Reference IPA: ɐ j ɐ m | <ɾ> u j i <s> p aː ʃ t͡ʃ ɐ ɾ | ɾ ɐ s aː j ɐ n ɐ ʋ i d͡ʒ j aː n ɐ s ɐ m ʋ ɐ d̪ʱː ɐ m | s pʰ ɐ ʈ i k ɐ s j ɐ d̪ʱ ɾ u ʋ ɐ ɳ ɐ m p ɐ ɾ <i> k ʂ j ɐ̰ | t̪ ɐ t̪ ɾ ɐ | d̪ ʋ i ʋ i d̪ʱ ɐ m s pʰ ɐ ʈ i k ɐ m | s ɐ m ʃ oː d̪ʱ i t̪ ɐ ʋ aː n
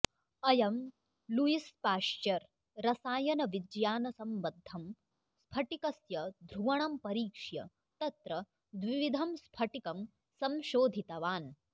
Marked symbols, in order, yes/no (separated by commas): no, yes, no